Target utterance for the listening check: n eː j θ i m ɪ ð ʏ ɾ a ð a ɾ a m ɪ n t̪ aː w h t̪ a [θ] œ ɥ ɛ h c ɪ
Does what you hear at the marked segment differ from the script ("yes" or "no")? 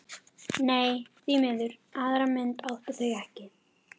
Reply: no